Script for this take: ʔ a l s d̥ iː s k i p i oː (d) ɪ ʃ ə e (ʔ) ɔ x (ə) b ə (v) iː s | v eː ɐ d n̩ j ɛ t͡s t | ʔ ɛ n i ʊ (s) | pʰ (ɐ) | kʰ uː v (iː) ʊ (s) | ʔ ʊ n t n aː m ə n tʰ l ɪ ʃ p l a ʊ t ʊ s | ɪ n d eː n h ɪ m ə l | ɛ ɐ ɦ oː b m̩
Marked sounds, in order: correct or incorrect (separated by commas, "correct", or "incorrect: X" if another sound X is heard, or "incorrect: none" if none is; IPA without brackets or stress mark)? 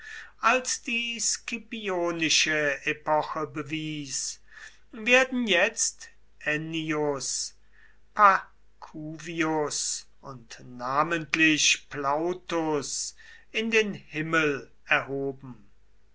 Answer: incorrect: n, incorrect: p, correct, correct, correct, incorrect: a, incorrect: i, correct